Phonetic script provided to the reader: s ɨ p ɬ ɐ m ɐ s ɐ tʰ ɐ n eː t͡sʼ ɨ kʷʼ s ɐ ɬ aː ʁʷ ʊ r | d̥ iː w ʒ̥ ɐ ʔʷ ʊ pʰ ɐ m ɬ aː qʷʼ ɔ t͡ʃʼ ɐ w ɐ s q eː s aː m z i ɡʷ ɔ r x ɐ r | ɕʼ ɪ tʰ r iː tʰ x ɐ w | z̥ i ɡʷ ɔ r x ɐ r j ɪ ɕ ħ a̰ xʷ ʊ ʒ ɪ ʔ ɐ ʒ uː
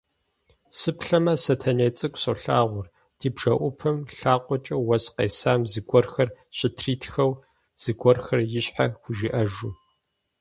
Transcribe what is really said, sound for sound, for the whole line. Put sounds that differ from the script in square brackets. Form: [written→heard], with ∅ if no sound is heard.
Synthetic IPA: s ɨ p ɬ ɐ m ɐ s ɐ tʰ ɐ n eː t͡sʼ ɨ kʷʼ s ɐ ɬ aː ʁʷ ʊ r | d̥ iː [w→b] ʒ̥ ɐ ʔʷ ʊ pʰ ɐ m ɬ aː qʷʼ ɔ t͡ʃʼ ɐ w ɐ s q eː s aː m z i ɡʷ ɔ r x ɐ r | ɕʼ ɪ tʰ r iː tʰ x ɐ w | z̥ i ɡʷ ɔ r x ɐ r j ɪ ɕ ħ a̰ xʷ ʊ ʒ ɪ ʔ ɐ ʒ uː